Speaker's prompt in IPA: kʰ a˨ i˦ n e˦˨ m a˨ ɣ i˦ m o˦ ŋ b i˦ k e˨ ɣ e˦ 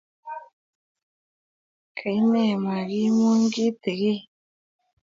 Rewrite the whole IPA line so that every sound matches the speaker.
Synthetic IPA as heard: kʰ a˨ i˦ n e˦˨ m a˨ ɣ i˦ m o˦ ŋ ɡ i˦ t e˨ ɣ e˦